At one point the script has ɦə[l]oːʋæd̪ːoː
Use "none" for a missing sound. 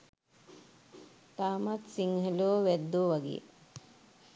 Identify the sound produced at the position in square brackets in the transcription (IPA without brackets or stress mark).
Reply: l